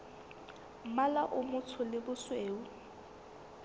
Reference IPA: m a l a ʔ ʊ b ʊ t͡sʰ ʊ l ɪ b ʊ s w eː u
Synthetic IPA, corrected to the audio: m a l a ʔ ʊ m ʊ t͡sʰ ʊ l ɪ b ʊ s w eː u